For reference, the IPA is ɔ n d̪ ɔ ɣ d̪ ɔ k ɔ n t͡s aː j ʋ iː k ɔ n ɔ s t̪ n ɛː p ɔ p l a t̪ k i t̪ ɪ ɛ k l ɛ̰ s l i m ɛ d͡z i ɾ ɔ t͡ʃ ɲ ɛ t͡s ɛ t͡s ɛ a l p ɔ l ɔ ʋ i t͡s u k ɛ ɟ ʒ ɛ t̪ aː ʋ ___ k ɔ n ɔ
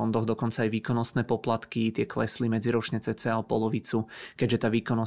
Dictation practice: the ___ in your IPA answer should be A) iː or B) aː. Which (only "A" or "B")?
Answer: A